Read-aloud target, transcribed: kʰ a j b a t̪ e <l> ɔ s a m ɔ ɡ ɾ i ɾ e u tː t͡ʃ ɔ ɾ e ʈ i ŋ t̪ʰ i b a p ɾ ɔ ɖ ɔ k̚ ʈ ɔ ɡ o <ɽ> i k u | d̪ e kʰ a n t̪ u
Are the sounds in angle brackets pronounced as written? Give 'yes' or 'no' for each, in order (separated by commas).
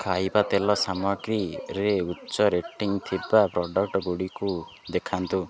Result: yes, yes